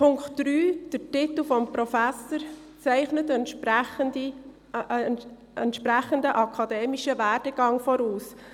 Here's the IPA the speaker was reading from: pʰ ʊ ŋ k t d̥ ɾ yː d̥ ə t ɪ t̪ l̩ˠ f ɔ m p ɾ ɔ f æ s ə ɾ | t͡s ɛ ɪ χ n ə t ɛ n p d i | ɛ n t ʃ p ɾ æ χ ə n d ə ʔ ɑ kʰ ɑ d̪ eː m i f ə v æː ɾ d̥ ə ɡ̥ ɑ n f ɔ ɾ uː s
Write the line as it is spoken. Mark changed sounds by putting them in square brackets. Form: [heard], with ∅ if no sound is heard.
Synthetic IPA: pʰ ʊ ŋ k t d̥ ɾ yː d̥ ə t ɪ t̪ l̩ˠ f ɔ m p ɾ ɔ f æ s ə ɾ | t͡s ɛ ɪ χ n ə t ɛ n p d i | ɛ n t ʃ p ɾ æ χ ə n d ə ʔ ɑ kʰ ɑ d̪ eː m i [ʃ] ə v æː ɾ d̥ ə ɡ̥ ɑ [ŋ] f ɔ ɾ uː s